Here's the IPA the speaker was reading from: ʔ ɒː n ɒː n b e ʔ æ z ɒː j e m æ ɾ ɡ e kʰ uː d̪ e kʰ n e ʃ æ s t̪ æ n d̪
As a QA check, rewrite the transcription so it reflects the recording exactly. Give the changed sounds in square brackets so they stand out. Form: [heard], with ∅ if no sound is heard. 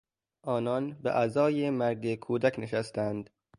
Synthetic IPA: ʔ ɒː n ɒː n b e ʔ æ z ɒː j e m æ ɾ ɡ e kʰ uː d̪ [æ] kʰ n e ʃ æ s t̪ æ n d̪